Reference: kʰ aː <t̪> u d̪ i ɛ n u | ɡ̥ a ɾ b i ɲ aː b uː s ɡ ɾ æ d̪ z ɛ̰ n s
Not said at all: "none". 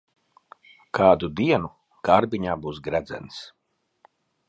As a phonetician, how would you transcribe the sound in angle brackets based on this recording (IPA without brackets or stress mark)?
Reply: d̪